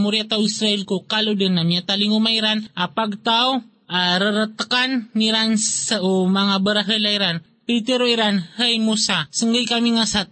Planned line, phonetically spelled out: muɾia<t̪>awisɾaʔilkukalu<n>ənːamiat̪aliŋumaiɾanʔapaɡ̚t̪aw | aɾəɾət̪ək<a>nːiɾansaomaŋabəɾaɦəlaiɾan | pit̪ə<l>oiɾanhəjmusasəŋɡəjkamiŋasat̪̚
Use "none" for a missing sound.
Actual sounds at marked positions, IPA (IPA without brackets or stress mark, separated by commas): t̪, d, a, ɾ